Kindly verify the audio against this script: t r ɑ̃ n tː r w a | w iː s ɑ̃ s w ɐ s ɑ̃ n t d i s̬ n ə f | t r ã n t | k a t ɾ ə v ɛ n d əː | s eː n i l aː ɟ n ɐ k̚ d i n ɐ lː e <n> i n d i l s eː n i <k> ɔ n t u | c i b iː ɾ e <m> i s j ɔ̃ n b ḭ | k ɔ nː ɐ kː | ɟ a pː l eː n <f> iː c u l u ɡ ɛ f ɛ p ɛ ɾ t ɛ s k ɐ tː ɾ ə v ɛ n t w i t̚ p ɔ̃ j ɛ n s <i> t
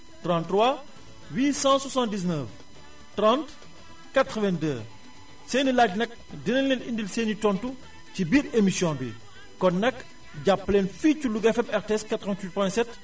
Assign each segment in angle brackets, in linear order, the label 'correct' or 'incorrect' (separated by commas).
correct, incorrect, correct, correct, incorrect